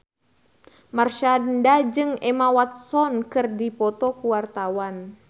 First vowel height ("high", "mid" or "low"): low